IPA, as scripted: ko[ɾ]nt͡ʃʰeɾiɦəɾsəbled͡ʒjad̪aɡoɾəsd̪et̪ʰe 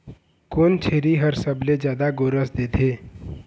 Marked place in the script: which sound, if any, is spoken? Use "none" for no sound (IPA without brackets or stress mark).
none